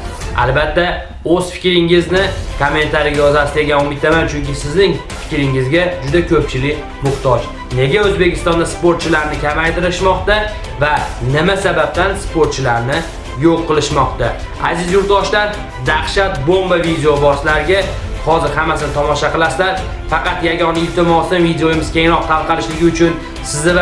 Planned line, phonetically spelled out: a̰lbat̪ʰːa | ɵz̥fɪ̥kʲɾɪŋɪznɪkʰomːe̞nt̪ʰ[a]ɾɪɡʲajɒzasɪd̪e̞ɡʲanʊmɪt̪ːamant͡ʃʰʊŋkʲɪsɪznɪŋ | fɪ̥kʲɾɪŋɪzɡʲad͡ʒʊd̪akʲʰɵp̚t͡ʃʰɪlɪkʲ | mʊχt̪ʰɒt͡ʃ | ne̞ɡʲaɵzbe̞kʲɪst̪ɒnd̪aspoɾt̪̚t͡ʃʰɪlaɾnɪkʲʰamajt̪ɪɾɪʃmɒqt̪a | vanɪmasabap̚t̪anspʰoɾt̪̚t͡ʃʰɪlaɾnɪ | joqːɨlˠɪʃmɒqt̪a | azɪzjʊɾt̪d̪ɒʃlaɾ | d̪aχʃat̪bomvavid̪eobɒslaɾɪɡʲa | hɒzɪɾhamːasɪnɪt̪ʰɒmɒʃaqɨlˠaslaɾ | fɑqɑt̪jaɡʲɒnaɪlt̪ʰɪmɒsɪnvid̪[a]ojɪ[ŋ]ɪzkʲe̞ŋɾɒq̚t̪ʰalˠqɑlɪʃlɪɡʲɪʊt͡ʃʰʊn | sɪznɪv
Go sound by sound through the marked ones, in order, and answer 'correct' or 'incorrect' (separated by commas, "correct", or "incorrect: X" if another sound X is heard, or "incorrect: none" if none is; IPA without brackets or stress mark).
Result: correct, incorrect: e, incorrect: m